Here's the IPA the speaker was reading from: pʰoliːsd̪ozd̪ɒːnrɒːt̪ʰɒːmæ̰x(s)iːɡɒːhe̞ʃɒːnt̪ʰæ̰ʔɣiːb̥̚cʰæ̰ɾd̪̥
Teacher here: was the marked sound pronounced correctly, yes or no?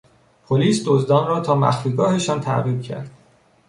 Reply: no